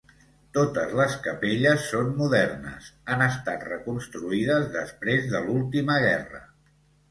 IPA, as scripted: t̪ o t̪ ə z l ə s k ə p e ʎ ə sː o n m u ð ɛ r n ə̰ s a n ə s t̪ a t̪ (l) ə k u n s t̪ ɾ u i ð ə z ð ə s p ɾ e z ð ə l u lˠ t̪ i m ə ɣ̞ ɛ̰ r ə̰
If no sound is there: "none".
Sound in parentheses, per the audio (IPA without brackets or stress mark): r